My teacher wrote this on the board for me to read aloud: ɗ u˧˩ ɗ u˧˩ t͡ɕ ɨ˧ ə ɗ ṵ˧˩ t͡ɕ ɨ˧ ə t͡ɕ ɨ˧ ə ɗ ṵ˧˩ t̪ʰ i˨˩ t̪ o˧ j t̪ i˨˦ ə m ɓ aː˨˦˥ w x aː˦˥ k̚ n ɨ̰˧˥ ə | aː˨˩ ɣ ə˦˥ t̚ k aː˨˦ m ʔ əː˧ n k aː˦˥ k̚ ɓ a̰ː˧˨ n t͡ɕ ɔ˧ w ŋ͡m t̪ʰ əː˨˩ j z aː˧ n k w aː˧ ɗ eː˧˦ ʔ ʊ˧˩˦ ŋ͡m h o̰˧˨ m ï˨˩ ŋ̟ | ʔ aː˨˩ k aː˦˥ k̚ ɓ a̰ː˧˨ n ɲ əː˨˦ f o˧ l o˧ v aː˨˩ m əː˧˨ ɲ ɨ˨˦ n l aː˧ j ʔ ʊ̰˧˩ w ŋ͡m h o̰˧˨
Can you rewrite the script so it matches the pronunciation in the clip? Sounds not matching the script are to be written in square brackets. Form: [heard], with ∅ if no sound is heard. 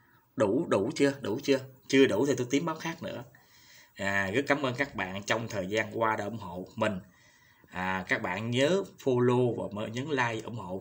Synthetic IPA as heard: ɗ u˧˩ ɗ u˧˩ t͡ɕ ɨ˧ ə ɗ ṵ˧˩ t͡ɕ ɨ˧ ə t͡ɕ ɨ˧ ə ɗ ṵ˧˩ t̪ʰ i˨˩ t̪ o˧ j t̪ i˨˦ ə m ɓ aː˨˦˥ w x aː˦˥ k̚ n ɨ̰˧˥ ə | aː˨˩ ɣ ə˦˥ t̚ k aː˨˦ m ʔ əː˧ n k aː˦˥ k̚ ɓ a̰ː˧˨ n t͡ɕ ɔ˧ w ŋ͡m t̪ʰ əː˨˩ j z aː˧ n k w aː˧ ɗ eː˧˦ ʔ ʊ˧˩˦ ŋ͡m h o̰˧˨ m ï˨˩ ŋ̟ | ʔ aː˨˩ k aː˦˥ k̚ ɓ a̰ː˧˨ n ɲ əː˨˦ f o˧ l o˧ v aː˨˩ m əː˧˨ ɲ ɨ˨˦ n l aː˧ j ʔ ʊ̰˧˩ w ŋ͡m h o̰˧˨